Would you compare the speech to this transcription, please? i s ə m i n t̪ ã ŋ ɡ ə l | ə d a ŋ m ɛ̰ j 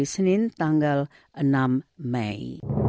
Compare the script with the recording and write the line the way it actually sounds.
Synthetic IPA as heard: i s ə n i n t̪ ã ŋ ɡ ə l | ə n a m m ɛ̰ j